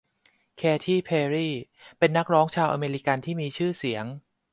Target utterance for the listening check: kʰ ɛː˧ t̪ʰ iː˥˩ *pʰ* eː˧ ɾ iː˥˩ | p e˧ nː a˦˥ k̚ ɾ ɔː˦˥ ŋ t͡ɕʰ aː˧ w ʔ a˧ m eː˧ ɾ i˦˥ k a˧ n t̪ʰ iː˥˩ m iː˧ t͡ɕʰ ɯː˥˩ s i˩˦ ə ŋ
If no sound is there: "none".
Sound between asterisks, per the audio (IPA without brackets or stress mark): pʰ